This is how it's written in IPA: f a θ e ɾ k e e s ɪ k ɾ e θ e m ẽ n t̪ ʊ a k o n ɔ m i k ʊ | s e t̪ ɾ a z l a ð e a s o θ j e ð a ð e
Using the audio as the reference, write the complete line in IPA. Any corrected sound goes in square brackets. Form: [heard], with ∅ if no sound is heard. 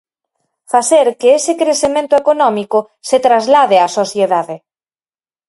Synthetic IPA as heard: f a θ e ɾ k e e s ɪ k ɾ e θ e m ẽ n t̪ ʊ [e] k o n ɔ m i k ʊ | s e t̪ ɾ a z l a ð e a s o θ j e ð a ð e